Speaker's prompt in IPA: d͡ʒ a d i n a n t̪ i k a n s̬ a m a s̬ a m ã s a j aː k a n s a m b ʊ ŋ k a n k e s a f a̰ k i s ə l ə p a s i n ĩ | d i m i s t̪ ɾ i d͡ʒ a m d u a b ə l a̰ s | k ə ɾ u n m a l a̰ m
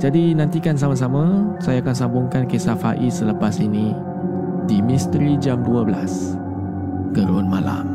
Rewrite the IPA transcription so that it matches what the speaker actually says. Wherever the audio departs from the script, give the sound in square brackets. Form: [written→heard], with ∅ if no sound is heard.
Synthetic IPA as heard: d͡ʒ a d i n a n t̪ i k a n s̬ a m a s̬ a m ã s a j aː k a n s a m b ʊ ŋ k a n k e s a f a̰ [k→ʔ] i s ə l ə p a s i n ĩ | d i m i s t̪ ɾ i d͡ʒ a m d u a b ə l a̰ s | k ə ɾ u n m a l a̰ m